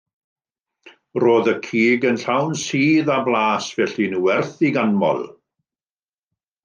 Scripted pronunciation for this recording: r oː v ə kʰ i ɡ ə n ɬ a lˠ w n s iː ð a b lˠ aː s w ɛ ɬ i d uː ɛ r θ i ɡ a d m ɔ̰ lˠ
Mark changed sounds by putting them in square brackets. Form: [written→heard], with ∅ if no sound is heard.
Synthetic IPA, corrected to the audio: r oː [v→ð] ə kʰ [i→iː] ɡ ə n ɬ a [lˠ→∅] w n s iː ð a b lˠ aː s [w→v] ɛ ɬ i [d→n] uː ɛ r θ i ɡ a [d→n] m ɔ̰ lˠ